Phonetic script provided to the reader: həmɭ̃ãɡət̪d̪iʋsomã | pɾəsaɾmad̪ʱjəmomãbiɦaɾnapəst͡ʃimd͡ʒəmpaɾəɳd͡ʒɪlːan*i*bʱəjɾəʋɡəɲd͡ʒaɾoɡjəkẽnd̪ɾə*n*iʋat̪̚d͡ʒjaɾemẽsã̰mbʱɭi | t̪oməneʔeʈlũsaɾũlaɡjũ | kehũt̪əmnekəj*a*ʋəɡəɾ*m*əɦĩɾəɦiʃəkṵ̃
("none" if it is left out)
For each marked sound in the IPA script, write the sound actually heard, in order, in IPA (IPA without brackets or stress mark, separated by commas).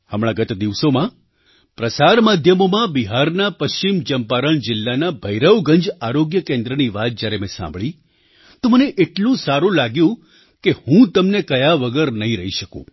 a, n, a, n